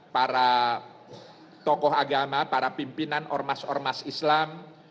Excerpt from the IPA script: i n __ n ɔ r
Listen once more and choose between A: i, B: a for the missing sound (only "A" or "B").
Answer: B